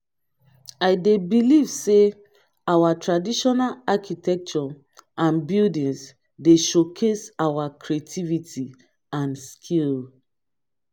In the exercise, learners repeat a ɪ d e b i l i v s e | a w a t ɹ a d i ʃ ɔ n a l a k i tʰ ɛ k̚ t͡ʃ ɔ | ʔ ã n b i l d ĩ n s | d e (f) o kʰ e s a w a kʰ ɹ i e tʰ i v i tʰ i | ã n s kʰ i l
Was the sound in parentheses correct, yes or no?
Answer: no